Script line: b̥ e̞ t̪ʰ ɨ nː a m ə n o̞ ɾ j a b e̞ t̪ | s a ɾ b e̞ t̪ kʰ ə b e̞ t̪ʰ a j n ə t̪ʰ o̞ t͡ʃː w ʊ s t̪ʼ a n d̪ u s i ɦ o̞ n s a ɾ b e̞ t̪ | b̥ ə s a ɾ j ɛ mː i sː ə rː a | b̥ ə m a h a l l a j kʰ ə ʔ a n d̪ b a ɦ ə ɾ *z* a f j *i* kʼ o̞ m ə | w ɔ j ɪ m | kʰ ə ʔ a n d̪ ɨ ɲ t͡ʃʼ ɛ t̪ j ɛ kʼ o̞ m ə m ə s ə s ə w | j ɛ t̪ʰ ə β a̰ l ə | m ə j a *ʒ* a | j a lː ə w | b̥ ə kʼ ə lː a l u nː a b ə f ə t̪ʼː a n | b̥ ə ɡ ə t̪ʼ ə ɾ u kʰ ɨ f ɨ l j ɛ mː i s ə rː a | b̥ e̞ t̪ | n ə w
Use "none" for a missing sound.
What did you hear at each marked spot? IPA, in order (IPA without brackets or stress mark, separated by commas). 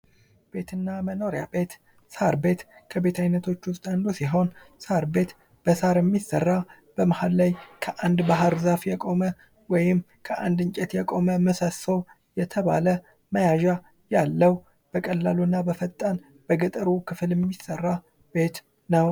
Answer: z, ɛ, ʒ